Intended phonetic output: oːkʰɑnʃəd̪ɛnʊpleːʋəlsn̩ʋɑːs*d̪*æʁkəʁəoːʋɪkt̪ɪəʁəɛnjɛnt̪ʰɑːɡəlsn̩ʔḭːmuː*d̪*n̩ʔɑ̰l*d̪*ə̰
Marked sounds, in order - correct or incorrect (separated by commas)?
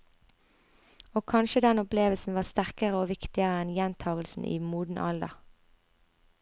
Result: incorrect, correct, correct